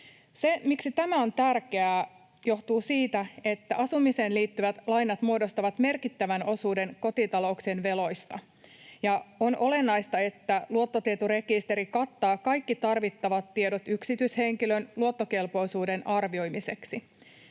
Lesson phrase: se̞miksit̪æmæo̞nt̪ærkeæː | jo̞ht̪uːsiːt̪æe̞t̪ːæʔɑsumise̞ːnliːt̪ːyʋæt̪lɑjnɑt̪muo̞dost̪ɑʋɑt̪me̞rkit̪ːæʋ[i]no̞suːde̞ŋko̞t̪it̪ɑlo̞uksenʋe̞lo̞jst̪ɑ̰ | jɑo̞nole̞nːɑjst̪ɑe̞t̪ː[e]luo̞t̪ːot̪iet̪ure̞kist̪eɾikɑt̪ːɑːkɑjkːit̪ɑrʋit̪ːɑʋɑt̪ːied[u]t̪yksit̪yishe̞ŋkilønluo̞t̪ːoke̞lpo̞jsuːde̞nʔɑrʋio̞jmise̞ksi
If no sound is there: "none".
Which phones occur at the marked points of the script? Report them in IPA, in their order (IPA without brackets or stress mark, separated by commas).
æ, æ, o